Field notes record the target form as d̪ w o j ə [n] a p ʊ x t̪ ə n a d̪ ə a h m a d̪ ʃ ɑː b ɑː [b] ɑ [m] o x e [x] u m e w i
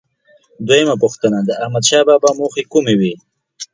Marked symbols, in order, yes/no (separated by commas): no, yes, yes, no